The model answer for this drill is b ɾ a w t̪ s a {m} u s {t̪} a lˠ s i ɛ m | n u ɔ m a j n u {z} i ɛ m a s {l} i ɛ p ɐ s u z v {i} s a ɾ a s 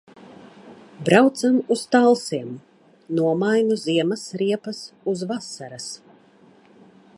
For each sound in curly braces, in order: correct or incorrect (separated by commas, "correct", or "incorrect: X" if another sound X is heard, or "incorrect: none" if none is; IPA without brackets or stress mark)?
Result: correct, correct, correct, incorrect: ɾ, incorrect: a